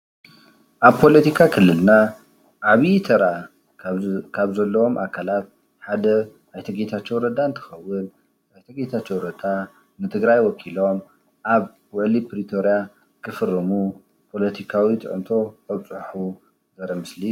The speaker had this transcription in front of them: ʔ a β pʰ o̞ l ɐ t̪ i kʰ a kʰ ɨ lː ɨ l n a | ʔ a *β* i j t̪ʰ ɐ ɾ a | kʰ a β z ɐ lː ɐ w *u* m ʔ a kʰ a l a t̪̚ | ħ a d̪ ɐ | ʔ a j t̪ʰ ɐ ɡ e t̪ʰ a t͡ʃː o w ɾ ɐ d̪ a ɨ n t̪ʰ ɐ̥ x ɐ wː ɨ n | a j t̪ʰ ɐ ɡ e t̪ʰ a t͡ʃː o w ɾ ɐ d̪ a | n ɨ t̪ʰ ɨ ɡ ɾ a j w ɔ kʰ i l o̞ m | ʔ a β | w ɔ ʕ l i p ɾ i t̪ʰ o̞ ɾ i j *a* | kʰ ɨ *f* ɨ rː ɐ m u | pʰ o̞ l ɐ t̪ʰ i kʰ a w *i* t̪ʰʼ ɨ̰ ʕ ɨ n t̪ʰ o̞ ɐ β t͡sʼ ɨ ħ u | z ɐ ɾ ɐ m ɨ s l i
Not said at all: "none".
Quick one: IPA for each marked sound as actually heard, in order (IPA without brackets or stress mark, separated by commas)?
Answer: β, o, a, f, i